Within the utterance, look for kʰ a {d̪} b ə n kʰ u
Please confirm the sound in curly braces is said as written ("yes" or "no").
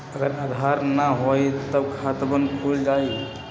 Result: no